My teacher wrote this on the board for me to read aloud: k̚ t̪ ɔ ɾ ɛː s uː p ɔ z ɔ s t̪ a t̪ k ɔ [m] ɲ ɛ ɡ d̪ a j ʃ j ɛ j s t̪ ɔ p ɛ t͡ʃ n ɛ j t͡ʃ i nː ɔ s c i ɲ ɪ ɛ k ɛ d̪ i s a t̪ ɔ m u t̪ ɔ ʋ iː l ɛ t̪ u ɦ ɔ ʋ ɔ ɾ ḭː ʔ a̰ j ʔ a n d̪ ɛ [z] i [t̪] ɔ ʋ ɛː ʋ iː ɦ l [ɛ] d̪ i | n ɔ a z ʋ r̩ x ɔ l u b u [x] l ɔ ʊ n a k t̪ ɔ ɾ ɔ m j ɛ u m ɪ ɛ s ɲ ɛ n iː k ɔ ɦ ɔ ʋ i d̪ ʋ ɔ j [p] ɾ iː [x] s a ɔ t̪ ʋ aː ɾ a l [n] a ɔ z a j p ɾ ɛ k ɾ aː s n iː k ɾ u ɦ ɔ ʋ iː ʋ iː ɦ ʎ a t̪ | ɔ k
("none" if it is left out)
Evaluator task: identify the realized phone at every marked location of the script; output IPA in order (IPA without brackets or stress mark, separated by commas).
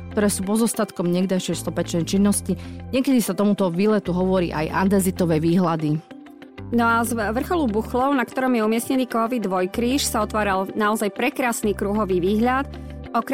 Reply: m, z, t̪, a, x, k, ʃ, n